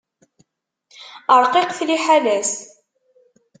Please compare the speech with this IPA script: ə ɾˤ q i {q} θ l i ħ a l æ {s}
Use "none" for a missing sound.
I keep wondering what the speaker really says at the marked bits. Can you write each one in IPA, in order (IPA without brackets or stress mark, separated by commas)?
q, s